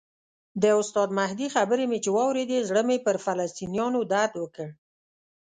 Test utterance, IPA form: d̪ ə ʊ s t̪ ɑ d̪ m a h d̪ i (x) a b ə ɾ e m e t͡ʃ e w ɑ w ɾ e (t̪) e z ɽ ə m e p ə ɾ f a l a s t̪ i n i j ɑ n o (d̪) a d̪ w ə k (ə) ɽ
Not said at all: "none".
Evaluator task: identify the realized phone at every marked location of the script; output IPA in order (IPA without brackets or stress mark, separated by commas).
x, d̪, d̪, ə